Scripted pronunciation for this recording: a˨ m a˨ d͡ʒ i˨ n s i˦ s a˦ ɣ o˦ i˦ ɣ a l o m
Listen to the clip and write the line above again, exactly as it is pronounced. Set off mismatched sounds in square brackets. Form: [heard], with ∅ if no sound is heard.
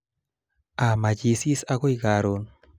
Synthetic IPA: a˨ m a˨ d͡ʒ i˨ [∅] s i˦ s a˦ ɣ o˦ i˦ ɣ a [ɾ] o [n]